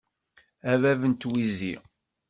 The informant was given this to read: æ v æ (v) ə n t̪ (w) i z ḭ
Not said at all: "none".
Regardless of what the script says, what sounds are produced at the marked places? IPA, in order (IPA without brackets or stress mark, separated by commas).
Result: v, w